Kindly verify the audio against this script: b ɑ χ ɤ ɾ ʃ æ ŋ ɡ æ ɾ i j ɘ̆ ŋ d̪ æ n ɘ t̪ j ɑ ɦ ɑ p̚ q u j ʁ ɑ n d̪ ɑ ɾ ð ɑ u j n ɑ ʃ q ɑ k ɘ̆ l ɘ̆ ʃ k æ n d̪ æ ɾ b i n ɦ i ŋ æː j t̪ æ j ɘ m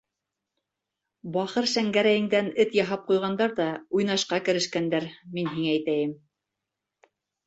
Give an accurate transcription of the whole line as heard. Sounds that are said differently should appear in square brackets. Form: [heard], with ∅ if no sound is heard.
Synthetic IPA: b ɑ χ ɤ ɾ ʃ æ ŋ ɡ æ ɾ [æ] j ɘ̆ ŋ d̪ æ n ɘ t̪ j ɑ ɦ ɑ p̚ q u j ʁ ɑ n d̪ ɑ ɾ ð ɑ u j n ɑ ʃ q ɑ k ɘ̆ [ɾ] ɘ̆ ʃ k æ n d̪ æ ɾ [m] i n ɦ i ŋ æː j t̪ æ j ɘ m